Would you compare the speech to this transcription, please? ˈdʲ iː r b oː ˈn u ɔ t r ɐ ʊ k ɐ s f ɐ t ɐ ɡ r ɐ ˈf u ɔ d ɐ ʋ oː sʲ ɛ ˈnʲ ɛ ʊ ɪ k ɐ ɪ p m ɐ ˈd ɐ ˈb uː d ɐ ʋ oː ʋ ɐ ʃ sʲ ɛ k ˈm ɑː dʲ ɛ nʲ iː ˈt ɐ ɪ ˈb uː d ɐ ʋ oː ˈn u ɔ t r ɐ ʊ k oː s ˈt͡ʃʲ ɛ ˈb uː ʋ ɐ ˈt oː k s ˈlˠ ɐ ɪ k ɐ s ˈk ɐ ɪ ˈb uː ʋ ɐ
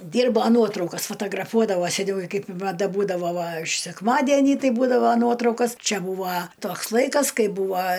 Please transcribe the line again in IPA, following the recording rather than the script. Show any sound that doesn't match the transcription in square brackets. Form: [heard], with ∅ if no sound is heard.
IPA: ˈdʲ iː r b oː ˈn u ɔ t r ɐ ʊ k ɐ s f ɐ t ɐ ɡ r ɐ ˈf u ɔ d ɐ ʋ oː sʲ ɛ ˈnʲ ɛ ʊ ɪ k ɐ ɪ p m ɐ ˈd ɐ ˈb uː d ɐ ʋ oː ʋ ɐ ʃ sʲ ɛ k ˈm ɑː dʲ ɛ nʲ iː ˈt ɐ ɪ ˈb uː d ɐ ʋ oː ˈn u ɔ t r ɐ ʊ k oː s ˈt͡ʃʲ ɛ ˈb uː ʋ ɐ ˈt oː k s ˈlˠ ɐ ɪ k ɐ s ˈk ɐ ɪ ˈb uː ʋ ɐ